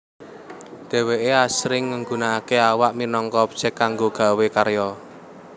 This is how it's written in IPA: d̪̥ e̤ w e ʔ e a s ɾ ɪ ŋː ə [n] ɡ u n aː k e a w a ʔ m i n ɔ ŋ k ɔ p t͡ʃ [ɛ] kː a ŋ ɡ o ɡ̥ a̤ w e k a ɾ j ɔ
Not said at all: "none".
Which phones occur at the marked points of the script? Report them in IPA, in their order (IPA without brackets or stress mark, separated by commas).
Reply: ŋ, ɛ